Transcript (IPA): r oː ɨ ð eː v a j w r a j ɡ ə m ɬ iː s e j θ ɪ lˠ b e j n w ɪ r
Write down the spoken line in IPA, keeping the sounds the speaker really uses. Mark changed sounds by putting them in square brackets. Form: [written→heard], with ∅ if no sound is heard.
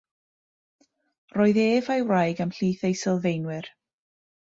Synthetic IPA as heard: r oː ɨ ð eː v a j w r a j ɡ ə m ɬ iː [s→θ] e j [θ→s] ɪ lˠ [b→v] e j n w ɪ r